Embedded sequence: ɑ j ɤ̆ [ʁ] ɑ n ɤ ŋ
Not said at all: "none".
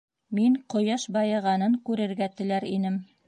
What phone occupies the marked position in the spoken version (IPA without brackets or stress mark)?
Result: ʁ